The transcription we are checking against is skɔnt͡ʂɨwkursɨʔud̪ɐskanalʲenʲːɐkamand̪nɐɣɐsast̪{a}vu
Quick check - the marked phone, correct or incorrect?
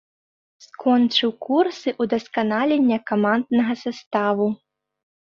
correct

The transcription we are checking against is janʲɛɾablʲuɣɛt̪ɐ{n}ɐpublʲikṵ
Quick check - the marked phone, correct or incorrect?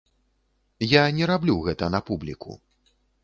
correct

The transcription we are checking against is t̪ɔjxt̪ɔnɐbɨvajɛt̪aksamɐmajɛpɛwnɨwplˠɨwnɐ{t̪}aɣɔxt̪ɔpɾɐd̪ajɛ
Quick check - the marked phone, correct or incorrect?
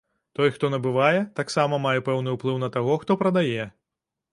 correct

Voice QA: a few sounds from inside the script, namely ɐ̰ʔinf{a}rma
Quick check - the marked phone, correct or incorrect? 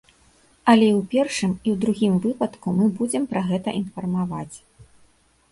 incorrect: ɐ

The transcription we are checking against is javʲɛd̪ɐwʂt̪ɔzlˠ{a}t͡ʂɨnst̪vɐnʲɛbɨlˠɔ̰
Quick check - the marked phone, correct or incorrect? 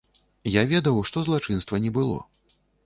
correct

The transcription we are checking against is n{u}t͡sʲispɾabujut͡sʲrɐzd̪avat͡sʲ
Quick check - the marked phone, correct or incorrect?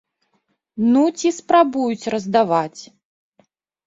correct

